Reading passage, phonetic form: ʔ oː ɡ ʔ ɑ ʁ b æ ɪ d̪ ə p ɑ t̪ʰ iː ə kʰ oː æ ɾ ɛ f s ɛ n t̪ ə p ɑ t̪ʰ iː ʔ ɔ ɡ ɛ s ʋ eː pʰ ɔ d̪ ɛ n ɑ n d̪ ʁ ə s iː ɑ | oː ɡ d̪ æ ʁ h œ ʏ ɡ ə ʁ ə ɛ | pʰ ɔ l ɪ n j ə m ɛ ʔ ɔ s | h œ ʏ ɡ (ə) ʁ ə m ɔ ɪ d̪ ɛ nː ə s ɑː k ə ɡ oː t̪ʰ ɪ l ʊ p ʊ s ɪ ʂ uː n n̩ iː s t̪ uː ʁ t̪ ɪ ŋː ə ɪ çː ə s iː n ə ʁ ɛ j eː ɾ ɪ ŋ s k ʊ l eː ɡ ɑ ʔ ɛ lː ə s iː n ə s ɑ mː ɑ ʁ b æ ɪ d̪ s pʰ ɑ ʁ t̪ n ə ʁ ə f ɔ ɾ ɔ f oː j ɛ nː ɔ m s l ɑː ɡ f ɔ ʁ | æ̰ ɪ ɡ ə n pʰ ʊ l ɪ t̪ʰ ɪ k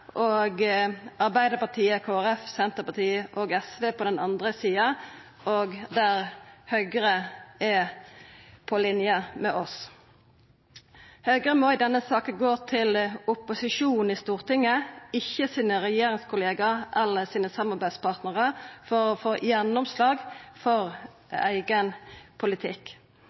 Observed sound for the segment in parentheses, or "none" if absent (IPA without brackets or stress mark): ə